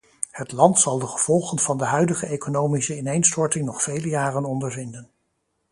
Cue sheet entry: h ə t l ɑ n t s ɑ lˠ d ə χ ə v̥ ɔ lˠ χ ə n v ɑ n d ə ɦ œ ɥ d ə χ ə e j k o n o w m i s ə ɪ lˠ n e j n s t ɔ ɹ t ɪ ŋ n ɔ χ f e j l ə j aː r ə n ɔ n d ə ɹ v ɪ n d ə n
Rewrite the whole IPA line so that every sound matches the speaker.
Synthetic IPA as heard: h ə t l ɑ n t s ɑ lˠ d ə χ ə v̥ ɔ lˠ χ ə n v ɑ n d ə ɦ œ ɥ d ə χ ə e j k o n o w m i s ə ɪ n e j n s t ɔ ɹ t ɪ ŋ n ɔ χ f e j l ə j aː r ə n ɔ n d ə ɹ v ɪ n d ə n